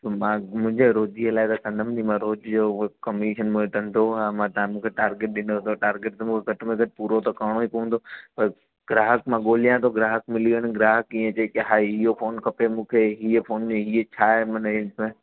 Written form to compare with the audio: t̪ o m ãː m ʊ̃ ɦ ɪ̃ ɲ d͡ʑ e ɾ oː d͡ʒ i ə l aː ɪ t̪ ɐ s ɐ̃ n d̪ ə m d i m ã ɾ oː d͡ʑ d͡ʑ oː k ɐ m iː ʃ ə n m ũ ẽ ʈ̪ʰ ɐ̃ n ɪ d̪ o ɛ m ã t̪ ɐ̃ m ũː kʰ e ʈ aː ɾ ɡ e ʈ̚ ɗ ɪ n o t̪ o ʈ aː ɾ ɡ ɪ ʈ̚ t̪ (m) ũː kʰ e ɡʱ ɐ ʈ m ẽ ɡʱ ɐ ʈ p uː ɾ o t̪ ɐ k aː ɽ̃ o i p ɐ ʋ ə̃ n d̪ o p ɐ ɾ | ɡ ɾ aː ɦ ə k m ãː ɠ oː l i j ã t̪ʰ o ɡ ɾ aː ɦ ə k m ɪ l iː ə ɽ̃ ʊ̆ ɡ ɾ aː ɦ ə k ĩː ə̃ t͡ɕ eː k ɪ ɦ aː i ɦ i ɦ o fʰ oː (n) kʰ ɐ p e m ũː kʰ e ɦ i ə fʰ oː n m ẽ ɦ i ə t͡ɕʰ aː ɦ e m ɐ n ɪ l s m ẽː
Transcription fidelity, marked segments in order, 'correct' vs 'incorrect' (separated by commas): correct, correct